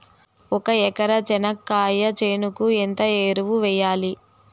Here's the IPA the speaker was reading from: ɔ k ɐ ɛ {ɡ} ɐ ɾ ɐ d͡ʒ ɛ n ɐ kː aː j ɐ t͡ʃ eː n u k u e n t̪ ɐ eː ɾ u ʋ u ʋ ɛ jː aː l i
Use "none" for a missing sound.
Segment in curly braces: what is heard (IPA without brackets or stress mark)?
k